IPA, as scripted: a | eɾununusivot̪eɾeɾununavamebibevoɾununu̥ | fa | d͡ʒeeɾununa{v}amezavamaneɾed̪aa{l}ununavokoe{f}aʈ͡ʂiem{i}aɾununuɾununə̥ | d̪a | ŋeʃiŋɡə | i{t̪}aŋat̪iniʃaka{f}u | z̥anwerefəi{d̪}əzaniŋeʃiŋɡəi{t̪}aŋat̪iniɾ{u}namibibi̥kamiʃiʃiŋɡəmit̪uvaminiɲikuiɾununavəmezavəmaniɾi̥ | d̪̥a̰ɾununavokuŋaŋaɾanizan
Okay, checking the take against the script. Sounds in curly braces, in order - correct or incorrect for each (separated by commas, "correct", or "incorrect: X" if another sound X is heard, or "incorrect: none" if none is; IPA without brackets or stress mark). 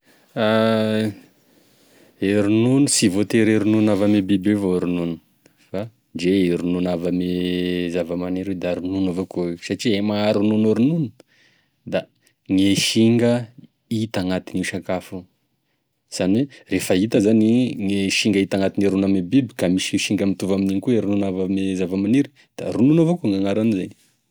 correct, incorrect: ɾ, incorrect: s, incorrect: a, correct, correct, incorrect: t̪, correct, correct